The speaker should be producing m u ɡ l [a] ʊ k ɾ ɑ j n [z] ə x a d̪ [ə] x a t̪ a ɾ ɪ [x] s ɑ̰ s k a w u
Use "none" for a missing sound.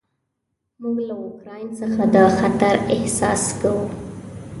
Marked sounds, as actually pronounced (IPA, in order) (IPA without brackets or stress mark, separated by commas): a, s, ɑ, h